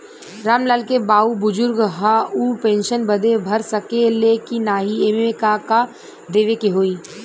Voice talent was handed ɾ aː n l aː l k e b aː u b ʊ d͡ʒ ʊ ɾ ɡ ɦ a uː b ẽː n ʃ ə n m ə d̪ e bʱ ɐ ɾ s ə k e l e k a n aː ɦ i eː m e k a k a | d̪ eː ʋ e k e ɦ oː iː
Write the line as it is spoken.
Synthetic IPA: ɾ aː m l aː l k e b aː u b ʊ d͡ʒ ʊ ɾ ɡ ɦ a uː p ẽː n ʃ ə n b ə d̪ e bʱ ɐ ɾ s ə k e l e k i n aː ɦ i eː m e k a k a | d̪ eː ʋ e k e ɦ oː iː